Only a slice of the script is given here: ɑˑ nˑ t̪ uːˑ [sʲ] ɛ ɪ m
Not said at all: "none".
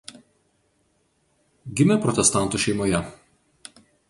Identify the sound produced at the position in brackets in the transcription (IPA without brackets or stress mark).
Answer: ʃʲ